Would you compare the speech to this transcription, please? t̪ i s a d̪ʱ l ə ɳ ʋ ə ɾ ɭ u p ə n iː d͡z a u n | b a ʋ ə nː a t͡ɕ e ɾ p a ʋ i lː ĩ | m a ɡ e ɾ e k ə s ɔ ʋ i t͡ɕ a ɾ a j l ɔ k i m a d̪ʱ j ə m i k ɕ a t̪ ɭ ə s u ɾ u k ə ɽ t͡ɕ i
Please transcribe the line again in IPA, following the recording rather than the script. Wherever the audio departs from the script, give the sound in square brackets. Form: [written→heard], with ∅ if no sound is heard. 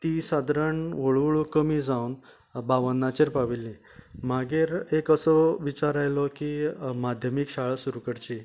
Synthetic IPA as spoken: t̪ i s a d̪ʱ [l→ɾ] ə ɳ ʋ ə [ɾ→ɭ] ɭ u [p→k] ə [n→m] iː d͡z a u n | b a ʋ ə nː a t͡ɕ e ɾ p a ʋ i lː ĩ | m a ɡ e ɾ e k ə s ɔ ʋ i t͡ɕ a ɾ a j l ɔ k i m a d̪ʱ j ə m i k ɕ a [t̪→∅] ɭ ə s u ɾ u k ə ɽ t͡ɕ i